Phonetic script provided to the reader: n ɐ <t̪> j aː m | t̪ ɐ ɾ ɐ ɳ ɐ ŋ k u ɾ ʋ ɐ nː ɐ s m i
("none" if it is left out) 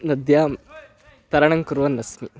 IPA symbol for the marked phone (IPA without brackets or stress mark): d̪